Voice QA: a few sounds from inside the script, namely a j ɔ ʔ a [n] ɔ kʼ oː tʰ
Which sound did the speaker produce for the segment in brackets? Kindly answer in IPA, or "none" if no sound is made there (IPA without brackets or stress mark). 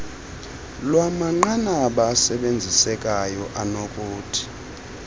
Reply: n